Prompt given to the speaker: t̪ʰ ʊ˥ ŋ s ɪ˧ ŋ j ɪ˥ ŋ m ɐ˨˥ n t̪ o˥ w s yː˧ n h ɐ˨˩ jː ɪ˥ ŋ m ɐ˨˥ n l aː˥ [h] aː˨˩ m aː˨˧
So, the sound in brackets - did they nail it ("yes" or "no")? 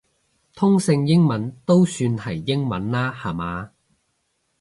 yes